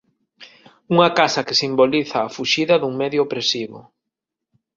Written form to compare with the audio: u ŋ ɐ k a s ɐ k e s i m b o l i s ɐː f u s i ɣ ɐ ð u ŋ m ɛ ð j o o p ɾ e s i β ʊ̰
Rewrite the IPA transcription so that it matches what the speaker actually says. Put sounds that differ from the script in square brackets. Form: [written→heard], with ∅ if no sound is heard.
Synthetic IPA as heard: u ŋ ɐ k a s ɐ k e s i m b o l i [s→θ] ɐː f u [s→ʃ] i [ɣ→ð] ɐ ð u ŋ m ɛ ð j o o p ɾ e s i β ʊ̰